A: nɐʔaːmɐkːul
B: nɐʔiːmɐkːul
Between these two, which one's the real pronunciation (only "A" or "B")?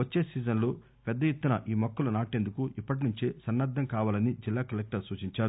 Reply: B